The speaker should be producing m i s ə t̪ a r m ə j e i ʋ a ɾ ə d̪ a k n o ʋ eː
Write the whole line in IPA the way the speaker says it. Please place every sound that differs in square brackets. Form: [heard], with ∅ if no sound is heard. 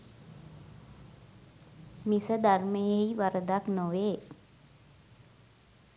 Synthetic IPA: m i s ə [d̪] a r m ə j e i ʋ a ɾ ə d̪ a k n o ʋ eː